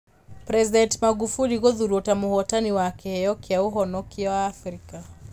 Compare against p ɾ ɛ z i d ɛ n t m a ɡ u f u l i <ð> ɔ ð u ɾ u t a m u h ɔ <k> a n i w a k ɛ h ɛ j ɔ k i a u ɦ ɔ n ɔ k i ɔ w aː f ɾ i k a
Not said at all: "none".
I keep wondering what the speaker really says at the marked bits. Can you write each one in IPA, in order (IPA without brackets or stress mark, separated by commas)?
ɣ, t